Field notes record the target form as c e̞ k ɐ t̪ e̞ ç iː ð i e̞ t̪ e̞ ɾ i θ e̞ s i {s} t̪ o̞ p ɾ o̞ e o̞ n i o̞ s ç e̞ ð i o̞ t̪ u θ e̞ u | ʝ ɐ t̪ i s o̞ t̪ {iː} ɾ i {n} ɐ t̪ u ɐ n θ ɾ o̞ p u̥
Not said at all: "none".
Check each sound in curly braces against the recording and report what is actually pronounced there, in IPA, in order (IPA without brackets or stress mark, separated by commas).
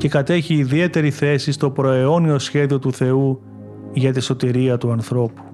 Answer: s, i, none